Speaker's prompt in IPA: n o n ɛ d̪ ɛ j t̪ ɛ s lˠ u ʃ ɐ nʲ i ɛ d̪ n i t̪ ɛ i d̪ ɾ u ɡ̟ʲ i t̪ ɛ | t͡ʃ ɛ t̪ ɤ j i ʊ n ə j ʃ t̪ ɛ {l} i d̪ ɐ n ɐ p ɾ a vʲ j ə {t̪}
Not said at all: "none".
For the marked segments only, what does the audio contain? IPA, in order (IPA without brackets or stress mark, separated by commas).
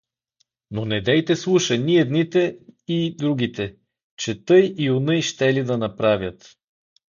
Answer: l, t̪